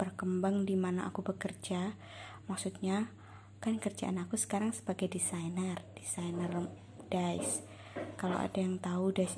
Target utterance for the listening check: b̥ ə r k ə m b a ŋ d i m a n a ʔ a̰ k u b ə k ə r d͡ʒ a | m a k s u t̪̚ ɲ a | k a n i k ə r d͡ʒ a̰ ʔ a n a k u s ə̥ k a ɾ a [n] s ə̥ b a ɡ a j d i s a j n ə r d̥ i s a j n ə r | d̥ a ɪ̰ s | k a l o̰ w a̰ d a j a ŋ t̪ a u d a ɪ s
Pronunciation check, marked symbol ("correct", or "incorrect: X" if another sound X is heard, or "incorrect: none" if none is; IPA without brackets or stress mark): incorrect: ŋ